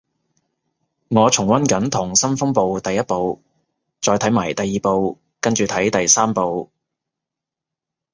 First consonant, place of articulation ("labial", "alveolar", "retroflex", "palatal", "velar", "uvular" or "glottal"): velar